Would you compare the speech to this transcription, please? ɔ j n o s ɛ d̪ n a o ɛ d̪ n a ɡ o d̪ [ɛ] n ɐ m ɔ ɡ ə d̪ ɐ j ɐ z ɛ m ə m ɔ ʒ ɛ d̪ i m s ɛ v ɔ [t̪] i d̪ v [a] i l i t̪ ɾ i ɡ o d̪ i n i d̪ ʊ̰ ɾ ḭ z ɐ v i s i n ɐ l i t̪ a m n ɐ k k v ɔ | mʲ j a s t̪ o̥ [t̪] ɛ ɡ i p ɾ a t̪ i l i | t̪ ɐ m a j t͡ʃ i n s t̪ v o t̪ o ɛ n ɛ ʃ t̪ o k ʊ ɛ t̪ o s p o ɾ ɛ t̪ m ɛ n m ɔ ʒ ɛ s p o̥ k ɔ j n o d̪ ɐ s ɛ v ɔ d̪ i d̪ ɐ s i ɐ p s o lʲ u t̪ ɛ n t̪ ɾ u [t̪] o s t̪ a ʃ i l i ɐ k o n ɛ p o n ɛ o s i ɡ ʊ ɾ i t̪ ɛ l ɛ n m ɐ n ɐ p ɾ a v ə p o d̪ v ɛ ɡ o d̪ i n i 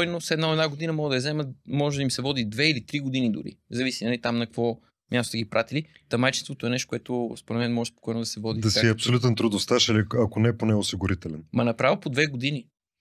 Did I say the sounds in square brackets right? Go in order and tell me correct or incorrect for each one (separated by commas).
incorrect, incorrect, incorrect, correct, incorrect